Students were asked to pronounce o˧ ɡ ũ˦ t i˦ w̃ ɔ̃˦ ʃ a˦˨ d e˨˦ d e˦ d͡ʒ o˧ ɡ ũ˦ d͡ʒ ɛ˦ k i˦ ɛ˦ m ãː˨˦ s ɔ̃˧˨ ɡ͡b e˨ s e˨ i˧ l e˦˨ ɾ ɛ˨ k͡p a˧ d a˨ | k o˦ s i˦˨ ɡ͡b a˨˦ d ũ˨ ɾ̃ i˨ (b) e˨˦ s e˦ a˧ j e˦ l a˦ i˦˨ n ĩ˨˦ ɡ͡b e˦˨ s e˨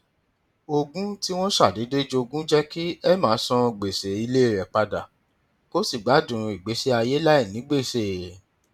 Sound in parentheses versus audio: incorrect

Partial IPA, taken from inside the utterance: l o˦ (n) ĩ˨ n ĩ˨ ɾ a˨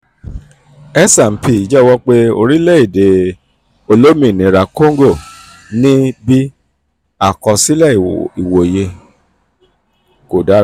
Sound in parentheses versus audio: incorrect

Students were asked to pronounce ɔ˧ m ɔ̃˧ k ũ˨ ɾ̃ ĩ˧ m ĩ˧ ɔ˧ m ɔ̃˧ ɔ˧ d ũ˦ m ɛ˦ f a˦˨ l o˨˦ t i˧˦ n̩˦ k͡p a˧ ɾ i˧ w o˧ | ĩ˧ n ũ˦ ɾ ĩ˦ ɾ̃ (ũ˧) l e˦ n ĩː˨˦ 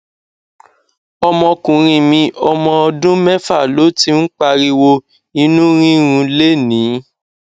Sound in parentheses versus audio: correct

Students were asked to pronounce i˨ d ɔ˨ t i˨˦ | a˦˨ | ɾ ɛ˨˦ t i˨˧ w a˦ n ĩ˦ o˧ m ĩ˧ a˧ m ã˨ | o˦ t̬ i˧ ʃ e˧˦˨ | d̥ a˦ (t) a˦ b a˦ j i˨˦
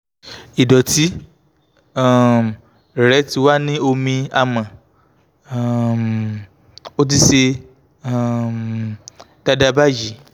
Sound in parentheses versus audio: incorrect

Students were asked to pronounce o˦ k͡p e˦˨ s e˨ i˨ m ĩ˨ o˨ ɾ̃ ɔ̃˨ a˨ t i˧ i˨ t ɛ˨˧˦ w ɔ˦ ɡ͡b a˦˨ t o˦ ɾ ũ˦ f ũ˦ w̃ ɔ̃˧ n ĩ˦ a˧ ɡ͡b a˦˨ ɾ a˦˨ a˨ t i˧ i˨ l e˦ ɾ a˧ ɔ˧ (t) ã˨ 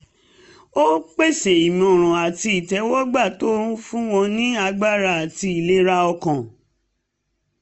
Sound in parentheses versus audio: incorrect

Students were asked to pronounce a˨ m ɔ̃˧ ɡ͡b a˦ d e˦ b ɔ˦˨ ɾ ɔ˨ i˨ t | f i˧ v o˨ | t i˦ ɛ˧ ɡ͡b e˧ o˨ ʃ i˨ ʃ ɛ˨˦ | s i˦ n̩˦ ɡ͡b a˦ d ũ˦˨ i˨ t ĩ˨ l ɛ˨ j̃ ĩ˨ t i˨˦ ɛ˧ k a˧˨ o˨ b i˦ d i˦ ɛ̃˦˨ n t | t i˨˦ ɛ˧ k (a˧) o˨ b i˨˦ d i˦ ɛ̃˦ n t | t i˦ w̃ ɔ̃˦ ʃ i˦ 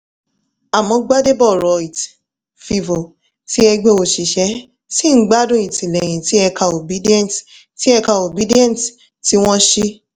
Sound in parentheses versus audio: correct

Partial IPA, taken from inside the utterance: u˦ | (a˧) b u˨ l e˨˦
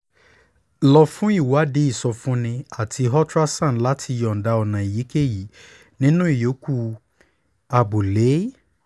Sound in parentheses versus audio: correct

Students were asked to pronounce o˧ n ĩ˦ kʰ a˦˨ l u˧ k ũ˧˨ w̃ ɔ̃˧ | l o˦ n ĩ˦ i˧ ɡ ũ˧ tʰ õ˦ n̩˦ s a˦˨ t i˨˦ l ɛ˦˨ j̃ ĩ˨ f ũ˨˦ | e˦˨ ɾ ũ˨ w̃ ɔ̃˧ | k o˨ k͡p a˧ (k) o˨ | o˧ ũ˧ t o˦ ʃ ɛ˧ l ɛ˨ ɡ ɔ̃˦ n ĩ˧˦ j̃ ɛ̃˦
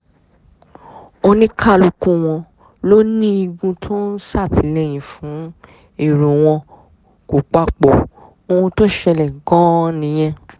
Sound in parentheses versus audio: incorrect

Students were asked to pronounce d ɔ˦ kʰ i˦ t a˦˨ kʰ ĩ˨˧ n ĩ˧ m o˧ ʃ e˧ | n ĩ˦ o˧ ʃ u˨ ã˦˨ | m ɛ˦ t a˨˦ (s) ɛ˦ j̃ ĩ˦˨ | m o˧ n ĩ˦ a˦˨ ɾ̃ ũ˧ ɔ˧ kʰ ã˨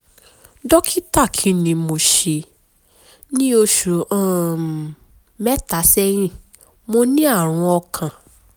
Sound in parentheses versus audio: correct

